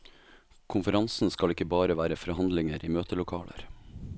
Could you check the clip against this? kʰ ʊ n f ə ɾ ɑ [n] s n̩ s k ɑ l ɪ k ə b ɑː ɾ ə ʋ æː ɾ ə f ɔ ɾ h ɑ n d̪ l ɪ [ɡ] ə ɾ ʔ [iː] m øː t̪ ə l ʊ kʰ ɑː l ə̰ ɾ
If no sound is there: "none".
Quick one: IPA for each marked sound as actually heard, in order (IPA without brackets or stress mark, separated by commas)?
n, ŋ, iː